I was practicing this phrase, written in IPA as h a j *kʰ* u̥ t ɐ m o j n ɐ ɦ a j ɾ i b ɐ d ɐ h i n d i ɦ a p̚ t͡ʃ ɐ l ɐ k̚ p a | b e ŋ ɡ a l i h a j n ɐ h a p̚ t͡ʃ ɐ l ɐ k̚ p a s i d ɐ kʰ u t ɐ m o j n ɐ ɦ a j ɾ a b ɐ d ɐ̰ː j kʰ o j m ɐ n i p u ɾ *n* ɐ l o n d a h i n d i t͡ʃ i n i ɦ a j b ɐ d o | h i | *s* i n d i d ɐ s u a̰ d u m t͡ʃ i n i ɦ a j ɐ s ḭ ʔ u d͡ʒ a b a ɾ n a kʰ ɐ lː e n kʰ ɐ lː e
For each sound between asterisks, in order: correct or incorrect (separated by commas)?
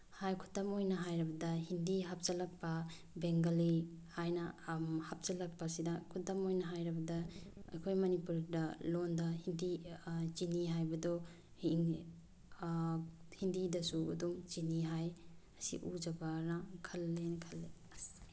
correct, incorrect, incorrect